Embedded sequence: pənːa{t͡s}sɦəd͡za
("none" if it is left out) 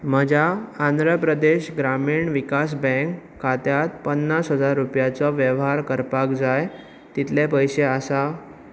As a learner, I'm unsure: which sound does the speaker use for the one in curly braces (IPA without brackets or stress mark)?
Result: none